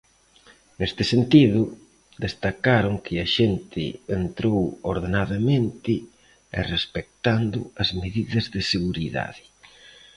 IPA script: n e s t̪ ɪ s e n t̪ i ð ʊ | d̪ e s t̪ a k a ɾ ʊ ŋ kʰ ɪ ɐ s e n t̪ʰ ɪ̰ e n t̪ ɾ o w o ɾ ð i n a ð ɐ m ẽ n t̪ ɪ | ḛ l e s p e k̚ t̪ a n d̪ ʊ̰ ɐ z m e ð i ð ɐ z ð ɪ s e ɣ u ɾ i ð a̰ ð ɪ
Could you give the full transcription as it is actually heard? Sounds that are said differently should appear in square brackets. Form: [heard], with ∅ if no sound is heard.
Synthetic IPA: n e s t̪ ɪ s e n t̪ i ð ʊ | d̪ e s t̪ a k a ɾ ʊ ŋ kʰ ɪ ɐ [ʃ] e n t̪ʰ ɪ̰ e n t̪ ɾ o w o ɾ ð [e] n a ð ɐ m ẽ n t̪ ɪ | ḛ [r] e s p e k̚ t̪ a n d̪ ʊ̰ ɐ z m e ð i ð ɐ z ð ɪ s e ɣ u ɾ i ð a̰ ð ɪ